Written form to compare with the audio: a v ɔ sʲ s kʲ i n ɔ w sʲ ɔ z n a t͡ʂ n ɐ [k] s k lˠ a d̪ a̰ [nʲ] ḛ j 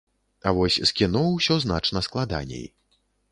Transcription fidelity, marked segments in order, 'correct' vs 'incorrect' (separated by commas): incorrect, correct